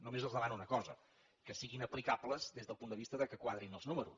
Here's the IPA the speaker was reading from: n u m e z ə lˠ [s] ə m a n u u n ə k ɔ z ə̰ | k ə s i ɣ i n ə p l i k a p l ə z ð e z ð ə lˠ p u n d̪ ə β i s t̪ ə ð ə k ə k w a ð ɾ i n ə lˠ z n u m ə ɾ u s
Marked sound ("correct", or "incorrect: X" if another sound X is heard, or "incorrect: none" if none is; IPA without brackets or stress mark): incorrect: z